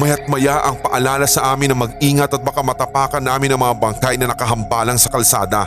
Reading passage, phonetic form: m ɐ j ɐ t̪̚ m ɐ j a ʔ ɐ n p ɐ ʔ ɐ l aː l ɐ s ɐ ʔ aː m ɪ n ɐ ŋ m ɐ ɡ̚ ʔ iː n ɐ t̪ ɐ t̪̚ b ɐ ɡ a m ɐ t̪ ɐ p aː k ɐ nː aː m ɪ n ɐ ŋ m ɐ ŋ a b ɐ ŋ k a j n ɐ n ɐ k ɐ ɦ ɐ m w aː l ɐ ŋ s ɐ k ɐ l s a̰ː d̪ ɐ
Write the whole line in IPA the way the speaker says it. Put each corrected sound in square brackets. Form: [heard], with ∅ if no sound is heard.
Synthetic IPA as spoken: m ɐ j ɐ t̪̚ m ɐ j a ʔ ɐ [ŋ] p ɐ ʔ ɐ l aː l ɐ s ɐ ʔ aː m ɪ n ɐ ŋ m ɐ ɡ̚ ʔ iː [ŋ] ɐ t̪ ɐ t̪̚ b ɐ [k] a m ɐ t̪ ɐ p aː k ɐ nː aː m ɪ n ɐ ŋ m ɐ ŋ a b ɐ ŋ k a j n ɐ n ɐ k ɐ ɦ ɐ m [b] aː l ɐ ŋ s ɐ k ɐ l s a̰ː d̪ ɐ